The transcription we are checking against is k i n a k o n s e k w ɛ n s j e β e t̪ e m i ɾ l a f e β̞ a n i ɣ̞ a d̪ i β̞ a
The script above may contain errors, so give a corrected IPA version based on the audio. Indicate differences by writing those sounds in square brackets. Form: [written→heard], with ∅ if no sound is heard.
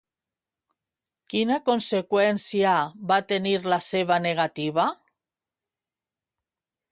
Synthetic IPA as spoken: k i n a k o n s e k w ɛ n s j [e→a] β [e→a] t̪ e [m→n] i ɾ l a [f→s] e β̞ a n [i→e] ɣ̞ a [d̪→t̪] i β̞ a

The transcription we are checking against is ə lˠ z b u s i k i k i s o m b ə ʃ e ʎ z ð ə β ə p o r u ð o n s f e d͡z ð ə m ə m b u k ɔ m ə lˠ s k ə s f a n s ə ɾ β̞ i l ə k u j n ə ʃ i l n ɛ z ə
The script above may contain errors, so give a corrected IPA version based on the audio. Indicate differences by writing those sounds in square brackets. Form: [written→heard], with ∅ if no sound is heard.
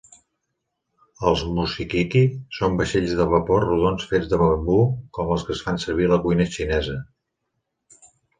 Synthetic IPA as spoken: ə lˠ z [b→m] u s i k i k i s o m b ə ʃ e ʎ z ð ə β ə p o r u ð o n s f e d͡z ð ə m ə m b u k ɔ m ə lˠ s k ə s f a n s ə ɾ β̞ i l ə k u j n ə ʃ i [l→∅] n ɛ z ə

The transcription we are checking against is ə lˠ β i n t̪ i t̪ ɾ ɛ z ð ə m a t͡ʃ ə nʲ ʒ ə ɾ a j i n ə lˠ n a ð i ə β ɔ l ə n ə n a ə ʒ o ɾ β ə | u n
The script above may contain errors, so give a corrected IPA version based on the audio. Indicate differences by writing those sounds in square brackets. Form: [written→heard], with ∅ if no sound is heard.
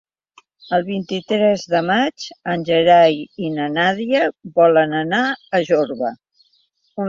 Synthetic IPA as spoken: ə lˠ β i n t̪ i t̪ ɾ ɛ z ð ə m a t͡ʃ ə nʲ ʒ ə ɾ a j i n ə [lˠ→∅] n a ð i ə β ɔ l ə n ə n a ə ʒ o ɾ β ə | u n

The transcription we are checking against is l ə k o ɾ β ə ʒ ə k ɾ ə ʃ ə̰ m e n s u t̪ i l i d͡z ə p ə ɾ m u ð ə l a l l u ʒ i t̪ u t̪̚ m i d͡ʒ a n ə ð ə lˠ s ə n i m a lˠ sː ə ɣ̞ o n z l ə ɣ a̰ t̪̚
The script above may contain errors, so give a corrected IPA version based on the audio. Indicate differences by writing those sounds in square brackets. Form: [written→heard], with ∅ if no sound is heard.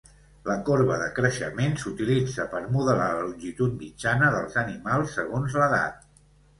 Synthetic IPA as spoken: l ə k o ɾ β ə [ʒ→ð] ə k ɾ ə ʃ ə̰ m e n s u t̪ i l i d͡z ə p ə ɾ m u ð ə l a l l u ʒ i t̪ u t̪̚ m i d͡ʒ a n ə ð ə lˠ [s→z] ə n i m a lˠ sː ə ɣ̞ o n z l ə [ɣ→ð] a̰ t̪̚

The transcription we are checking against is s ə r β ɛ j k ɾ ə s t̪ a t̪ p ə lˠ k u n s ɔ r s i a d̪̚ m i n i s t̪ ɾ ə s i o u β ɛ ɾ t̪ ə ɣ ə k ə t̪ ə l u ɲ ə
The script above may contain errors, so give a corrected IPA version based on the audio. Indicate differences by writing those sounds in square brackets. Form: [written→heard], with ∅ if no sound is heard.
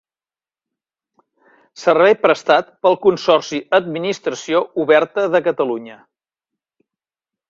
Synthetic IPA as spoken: s ə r β ɛ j [k→p] ɾ ə s t̪ a t̪ p ə lˠ k u n s ɔ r s i [a→ə] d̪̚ m i n i s t̪ ɾ ə s i o u β ɛ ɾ t̪ ə [ɣ→ð] ə k ə t̪ ə l u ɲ ə

